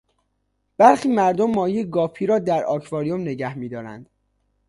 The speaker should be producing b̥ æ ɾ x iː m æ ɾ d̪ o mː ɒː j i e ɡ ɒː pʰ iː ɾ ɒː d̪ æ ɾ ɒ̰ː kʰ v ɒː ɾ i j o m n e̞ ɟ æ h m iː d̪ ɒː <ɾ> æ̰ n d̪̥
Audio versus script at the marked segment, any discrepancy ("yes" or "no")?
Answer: no